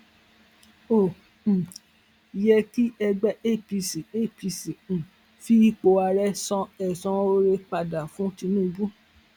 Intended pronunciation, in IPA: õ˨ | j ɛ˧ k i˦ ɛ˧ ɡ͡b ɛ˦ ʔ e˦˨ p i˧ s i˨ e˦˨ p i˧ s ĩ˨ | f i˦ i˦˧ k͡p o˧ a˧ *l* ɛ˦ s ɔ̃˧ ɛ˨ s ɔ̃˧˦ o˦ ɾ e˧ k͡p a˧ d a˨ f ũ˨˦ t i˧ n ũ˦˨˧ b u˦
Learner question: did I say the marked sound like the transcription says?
no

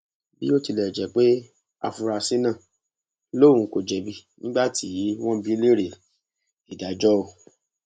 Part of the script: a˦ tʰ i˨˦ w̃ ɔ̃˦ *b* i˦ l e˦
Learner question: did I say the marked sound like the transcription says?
yes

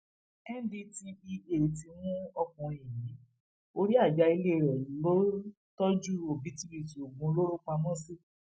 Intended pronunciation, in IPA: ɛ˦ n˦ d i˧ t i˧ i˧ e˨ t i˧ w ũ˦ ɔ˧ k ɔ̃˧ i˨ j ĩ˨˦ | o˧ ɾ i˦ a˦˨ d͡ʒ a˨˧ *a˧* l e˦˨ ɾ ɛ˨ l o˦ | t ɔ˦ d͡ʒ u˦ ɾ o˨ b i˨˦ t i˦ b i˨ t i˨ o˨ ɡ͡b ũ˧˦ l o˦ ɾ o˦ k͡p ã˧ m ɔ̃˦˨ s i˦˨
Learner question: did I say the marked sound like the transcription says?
no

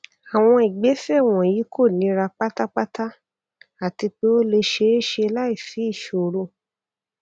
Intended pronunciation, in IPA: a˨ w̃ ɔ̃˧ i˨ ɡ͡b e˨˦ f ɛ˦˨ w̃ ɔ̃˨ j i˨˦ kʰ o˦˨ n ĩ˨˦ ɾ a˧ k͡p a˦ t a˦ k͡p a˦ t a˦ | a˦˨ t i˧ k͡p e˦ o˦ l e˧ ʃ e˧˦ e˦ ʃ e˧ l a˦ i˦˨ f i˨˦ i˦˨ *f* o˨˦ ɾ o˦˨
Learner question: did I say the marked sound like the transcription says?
no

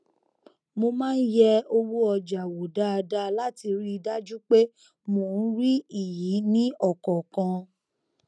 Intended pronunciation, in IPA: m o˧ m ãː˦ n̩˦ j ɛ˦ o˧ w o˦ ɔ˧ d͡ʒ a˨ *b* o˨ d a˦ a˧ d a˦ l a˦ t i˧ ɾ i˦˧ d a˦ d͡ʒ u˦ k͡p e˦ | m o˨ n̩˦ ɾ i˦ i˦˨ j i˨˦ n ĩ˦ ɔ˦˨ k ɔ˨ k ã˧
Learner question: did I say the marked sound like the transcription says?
no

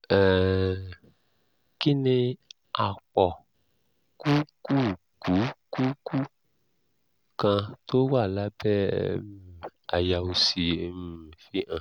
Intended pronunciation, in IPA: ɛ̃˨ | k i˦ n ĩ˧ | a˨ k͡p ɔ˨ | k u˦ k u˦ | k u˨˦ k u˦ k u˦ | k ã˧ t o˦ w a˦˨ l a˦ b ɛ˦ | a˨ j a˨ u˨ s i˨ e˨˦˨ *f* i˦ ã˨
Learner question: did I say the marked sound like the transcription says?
yes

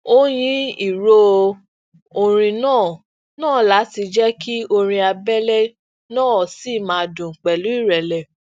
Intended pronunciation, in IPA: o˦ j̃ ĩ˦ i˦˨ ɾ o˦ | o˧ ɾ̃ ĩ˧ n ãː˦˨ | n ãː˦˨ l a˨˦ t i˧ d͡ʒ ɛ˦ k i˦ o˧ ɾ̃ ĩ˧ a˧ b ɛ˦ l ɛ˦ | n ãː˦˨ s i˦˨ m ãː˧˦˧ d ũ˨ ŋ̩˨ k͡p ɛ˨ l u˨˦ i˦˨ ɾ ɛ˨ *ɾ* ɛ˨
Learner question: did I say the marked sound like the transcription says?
no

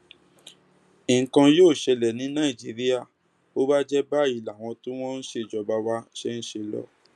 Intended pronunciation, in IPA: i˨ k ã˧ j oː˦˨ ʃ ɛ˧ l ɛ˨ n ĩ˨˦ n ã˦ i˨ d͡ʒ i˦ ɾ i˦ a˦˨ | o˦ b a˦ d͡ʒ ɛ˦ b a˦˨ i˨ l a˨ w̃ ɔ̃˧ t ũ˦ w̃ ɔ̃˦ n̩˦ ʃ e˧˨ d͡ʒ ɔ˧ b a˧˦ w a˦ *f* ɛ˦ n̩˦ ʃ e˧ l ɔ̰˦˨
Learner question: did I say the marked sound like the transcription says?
no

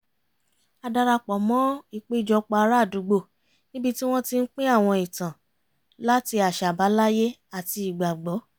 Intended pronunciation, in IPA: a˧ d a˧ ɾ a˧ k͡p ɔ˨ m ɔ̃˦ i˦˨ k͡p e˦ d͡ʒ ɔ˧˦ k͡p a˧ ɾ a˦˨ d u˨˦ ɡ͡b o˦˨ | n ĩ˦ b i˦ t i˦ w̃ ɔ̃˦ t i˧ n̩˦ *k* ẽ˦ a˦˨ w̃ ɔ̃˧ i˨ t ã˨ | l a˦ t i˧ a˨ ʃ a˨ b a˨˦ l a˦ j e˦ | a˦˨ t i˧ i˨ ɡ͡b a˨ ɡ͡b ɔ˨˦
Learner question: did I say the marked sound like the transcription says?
no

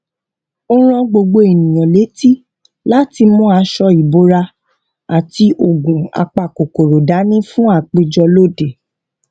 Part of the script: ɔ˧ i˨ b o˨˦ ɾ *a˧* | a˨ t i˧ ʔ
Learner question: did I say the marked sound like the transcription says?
yes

